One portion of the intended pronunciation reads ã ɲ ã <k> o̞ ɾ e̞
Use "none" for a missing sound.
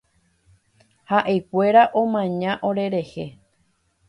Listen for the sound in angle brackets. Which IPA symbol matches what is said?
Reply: ʔ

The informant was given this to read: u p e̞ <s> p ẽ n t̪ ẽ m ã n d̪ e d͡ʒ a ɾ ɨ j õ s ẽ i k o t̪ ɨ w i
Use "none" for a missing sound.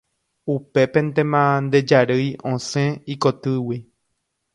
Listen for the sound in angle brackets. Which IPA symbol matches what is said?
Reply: none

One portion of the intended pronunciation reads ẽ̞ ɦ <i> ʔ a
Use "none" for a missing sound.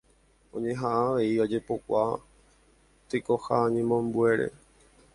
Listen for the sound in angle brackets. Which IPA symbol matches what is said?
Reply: a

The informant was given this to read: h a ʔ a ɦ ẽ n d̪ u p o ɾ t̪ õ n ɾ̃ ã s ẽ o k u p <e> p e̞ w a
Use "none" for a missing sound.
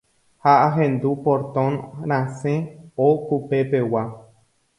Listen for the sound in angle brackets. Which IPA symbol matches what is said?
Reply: e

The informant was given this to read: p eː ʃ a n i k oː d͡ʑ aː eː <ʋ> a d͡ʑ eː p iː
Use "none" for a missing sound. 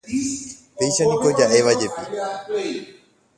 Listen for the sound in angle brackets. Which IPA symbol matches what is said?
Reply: ʋ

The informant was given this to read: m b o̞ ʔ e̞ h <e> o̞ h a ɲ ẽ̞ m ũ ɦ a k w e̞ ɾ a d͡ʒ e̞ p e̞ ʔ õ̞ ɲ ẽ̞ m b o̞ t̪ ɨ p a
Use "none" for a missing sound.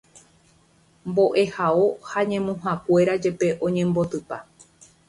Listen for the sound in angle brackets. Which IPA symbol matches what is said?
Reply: a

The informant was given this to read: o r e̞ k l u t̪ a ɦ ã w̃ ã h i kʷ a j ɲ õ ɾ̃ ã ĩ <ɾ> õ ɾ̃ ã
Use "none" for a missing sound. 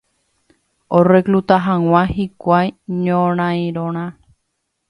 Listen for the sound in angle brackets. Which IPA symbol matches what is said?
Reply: ɾ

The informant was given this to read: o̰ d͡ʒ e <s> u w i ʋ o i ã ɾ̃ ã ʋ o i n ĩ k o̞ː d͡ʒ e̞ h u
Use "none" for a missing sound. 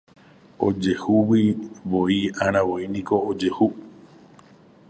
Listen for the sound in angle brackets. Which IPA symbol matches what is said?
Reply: h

